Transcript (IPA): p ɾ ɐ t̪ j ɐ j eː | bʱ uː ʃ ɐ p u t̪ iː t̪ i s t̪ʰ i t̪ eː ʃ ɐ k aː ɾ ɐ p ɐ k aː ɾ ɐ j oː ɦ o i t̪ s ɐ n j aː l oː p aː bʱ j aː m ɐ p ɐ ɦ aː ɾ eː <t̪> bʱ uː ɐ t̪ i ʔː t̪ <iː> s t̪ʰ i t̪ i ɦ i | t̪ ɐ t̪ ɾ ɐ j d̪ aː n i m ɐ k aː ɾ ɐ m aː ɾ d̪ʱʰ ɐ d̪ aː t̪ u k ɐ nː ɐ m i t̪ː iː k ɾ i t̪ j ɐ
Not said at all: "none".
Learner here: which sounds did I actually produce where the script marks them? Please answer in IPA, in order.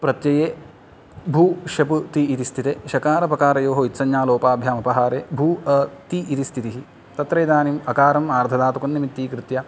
none, i

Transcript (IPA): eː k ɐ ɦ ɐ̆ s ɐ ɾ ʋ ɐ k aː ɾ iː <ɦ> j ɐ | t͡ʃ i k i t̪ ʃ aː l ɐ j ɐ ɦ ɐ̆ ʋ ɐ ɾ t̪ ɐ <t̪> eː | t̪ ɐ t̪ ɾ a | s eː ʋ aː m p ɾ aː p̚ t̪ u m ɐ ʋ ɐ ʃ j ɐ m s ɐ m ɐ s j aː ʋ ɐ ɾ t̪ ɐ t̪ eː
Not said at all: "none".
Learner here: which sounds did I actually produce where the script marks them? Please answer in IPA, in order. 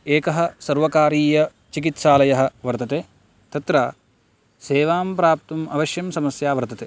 none, t̪

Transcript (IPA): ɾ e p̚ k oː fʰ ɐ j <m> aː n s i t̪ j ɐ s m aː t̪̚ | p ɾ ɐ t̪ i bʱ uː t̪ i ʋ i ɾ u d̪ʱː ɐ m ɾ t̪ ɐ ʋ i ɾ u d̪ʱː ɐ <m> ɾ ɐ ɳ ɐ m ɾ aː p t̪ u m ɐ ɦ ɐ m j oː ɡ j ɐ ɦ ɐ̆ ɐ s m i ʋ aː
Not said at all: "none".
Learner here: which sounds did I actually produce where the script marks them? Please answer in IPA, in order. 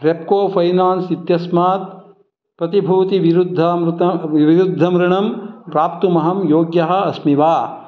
n, m

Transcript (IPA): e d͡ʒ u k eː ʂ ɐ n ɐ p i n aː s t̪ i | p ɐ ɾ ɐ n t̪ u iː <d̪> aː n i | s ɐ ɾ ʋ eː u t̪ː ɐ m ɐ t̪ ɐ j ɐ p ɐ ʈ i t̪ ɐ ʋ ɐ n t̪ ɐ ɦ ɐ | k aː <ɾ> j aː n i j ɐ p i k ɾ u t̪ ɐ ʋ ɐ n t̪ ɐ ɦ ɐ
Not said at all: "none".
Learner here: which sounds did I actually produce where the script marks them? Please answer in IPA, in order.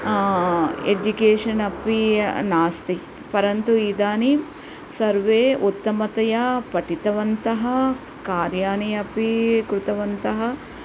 d̪, ɾ

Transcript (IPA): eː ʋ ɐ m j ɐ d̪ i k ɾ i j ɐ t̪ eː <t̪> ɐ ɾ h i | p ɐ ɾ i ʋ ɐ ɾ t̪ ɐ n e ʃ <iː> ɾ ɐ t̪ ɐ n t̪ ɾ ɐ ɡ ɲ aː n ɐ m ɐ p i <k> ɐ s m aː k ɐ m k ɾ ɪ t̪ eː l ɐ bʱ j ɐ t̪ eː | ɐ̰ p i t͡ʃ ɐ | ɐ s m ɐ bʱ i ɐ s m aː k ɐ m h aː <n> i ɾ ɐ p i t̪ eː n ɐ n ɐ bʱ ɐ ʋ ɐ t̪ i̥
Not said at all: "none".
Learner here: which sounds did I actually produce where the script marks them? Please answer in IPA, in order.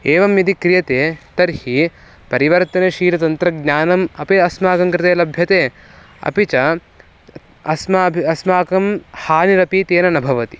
t̪, iː, none, n

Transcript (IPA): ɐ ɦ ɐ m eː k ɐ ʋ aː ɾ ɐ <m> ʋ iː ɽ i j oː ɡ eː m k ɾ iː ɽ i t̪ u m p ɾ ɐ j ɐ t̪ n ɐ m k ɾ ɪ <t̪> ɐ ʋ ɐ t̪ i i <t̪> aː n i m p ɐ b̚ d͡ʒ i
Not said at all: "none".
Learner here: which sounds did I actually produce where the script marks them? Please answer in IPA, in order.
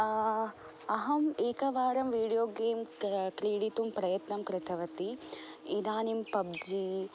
m, t̪ʰ, d̪

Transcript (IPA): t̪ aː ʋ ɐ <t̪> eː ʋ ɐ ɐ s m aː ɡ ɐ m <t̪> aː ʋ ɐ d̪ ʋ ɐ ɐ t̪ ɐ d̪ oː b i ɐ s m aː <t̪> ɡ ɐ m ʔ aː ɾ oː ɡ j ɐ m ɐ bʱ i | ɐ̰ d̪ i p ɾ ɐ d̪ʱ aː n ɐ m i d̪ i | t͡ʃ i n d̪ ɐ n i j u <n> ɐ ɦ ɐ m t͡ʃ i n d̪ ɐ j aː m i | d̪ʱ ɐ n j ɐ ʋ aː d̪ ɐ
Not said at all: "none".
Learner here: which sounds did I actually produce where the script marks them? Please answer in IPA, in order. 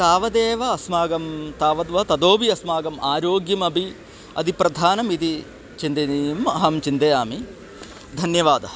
d̪, t̪, none, m

